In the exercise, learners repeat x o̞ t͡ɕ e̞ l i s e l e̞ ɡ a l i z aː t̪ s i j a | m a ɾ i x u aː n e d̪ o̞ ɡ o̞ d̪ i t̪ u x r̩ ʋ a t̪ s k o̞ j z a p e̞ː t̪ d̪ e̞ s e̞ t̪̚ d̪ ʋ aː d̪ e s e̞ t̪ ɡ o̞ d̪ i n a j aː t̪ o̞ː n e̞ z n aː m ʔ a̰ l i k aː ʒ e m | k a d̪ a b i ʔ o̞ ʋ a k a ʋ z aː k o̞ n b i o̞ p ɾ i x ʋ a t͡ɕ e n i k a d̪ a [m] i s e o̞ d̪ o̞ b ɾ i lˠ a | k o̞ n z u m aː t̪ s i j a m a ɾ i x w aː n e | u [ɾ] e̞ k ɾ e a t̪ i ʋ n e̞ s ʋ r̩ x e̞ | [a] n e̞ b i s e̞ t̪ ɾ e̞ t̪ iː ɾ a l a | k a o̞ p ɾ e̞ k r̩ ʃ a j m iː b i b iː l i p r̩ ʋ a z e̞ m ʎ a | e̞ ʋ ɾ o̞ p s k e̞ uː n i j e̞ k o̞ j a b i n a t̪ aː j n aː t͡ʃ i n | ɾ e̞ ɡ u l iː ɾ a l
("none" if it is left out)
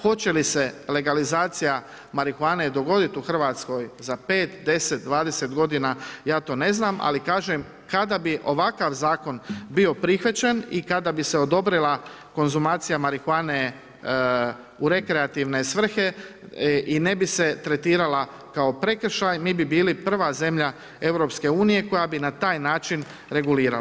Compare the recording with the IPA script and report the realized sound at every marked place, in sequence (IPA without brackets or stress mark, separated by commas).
b, ɾ, i